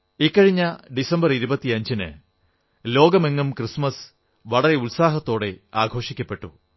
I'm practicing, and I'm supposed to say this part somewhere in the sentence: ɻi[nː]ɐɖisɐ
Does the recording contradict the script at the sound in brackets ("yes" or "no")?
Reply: yes